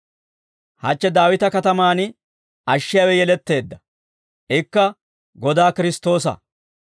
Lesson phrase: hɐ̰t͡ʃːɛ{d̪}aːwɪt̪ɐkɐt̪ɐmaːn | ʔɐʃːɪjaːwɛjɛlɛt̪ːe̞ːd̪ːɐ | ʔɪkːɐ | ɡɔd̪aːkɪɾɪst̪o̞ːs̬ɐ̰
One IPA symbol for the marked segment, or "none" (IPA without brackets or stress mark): d̪